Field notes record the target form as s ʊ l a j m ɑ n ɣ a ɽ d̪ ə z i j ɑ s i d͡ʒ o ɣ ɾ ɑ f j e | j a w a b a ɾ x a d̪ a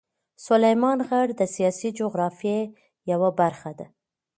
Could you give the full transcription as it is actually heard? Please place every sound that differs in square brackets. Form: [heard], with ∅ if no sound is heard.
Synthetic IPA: s ʊ l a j m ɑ n ɣ a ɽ d̪ ə [s] i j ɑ s i d͡ʒ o ɣ ɾ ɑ f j e | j a w a b a ɾ x a d̪ a

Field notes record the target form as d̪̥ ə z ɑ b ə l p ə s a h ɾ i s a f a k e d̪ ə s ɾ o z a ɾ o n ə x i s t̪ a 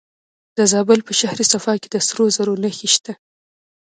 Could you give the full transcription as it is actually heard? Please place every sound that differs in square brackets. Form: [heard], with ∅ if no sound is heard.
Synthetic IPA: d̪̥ ə z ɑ b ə l p ə [ʃ] a h ɾ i s a f [ɑ] k e d̪ ə s ɾ o z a ɾ o n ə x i [ʃ] t̪ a

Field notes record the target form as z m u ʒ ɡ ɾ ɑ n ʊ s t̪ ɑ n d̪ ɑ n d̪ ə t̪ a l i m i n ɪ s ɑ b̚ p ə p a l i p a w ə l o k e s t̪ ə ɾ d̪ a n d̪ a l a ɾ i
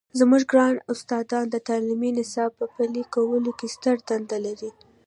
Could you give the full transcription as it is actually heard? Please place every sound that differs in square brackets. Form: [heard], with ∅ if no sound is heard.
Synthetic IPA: z m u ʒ ɡ ɾ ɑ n ʊ s t̪ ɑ [∅] d̪ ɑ n d̪ ə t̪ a l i m i n ɪ s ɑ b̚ p ə p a l i [k] a w ə l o k e s t̪ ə ɾ d̪ a n d̪ a l a ɾ i

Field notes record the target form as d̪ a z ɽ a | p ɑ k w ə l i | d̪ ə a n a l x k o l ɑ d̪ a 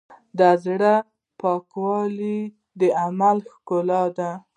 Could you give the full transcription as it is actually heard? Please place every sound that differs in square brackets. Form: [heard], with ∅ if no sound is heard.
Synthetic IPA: d̪ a z ɽ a | p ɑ k w [ɑ] l i | d̪ ə a [m] a l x k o l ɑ d̪ a

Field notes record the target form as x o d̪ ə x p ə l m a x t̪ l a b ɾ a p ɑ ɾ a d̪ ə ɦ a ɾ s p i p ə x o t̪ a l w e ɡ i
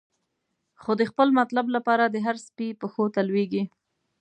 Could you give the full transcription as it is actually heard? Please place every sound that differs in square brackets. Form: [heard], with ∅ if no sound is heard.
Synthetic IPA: x o d̪ ə x p ə l m a [∅] t̪ l a b [l] a p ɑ ɾ a d̪ ə ɦ a ɾ s p i p ə x o t̪ a l w e ɡ i

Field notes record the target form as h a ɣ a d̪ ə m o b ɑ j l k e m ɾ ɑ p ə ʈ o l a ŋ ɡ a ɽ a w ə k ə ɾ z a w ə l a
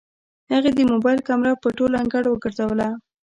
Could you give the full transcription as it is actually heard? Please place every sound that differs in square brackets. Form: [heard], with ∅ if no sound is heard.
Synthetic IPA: h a ɣ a d̪ ə m o b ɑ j l k [a] m ɾ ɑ p ə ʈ o l a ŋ ɡ a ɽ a w ə [ɡ] ə ɾ z a w ə l a

